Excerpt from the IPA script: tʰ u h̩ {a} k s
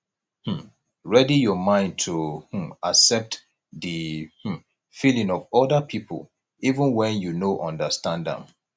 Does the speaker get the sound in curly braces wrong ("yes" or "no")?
no